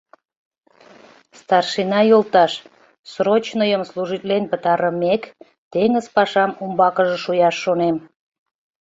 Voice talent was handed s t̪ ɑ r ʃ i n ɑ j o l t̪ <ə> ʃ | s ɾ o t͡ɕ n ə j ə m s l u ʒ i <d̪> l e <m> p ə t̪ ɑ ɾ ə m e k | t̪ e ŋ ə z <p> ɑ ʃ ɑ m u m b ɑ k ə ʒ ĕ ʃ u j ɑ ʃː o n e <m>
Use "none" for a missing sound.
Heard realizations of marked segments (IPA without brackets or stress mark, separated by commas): ɑ, t̪, n, p, m